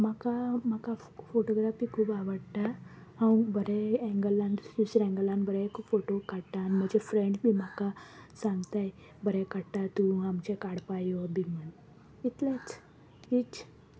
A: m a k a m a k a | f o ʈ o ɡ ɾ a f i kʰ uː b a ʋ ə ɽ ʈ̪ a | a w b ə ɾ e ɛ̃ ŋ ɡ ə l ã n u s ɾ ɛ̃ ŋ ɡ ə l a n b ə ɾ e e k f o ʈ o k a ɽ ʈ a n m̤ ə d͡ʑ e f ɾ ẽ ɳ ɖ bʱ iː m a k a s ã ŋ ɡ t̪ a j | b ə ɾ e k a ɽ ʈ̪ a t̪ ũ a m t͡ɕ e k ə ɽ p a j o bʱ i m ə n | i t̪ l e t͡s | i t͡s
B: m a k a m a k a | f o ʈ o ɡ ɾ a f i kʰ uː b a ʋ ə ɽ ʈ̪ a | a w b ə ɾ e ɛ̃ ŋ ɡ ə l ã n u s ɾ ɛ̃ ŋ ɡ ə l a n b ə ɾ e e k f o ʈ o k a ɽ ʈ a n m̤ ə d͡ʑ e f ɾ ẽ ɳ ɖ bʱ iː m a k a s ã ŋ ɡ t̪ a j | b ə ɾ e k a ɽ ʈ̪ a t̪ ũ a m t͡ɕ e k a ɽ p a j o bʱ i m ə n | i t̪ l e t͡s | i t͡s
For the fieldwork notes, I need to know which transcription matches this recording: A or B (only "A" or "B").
B